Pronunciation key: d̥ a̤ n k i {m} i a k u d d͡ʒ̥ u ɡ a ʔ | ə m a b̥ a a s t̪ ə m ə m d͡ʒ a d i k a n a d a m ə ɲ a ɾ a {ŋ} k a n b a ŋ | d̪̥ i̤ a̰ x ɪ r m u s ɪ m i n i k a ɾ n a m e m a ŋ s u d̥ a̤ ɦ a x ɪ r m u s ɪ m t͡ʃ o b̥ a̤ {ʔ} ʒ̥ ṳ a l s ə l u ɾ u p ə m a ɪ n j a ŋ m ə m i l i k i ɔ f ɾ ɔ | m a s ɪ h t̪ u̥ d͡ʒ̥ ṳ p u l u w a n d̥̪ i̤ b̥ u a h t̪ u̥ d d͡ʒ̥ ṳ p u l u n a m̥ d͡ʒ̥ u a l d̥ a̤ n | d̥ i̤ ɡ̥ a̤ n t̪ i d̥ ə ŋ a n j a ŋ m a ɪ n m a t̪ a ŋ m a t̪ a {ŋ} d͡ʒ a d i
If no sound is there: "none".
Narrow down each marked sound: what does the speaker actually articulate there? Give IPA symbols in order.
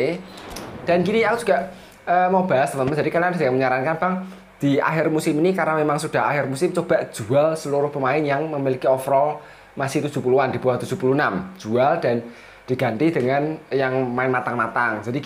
n, n, ʔ, ŋ

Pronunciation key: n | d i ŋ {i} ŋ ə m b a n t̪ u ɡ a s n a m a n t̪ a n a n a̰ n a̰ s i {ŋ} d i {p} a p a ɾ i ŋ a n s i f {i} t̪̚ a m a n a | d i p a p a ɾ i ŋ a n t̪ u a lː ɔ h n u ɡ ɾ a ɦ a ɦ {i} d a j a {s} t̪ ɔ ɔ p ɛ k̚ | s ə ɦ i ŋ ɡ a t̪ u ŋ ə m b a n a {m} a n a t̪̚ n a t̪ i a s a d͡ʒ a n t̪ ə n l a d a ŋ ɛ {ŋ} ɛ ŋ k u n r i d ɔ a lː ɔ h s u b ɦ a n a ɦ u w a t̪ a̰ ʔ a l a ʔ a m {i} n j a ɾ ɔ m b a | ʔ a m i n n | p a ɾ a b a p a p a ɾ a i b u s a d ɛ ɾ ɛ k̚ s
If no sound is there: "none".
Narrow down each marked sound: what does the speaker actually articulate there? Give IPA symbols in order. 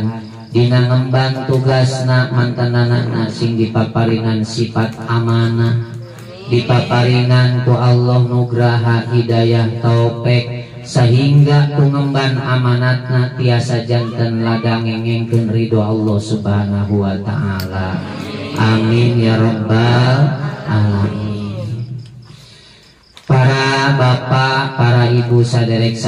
a, ŋ, p, a, i, h, m, ŋ, i

